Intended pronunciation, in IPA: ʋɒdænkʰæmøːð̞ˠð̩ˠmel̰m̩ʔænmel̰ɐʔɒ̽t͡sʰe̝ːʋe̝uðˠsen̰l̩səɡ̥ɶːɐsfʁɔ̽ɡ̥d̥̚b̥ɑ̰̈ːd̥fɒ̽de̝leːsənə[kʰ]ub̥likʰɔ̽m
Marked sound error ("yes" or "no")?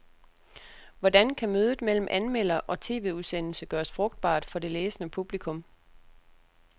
yes